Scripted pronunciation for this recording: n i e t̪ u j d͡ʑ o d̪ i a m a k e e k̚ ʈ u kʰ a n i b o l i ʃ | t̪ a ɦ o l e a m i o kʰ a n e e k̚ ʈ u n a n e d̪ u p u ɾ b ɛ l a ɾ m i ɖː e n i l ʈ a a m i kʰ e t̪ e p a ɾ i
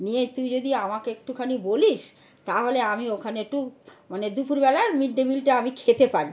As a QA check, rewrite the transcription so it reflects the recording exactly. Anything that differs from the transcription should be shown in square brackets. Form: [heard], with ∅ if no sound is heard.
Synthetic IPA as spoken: n i e t̪ u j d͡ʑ o d̪ i a m a k e e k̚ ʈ u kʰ a n i b o l i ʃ | t̪ a ɦ o l e a m i o kʰ a n e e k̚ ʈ u [m] a n e d̪ u p u ɾ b ɛ l a ɾ m i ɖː e [m] i l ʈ a a m i kʰ e t̪ e p a ɾ i